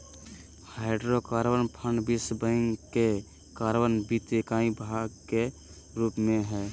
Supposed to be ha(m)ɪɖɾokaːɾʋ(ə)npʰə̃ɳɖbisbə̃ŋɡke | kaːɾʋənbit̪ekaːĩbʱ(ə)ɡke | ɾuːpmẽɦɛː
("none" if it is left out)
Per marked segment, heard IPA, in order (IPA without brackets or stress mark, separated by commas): none, ə, a